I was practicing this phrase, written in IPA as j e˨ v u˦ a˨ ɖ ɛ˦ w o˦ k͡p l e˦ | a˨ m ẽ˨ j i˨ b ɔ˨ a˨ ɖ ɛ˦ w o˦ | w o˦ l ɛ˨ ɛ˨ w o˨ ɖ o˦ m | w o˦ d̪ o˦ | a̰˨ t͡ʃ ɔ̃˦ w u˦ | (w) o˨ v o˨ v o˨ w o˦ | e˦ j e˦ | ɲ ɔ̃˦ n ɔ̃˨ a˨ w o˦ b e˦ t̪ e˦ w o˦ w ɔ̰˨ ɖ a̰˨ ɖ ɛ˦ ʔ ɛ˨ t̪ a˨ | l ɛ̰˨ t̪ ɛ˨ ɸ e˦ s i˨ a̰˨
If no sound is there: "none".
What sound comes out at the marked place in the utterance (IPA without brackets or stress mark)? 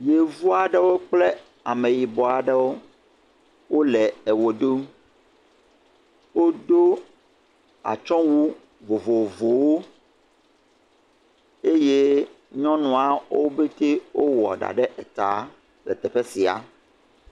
v